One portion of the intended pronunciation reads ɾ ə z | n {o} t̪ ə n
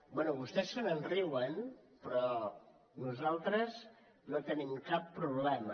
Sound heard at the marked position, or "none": o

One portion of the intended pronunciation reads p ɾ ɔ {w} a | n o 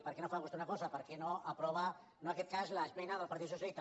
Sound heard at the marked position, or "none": β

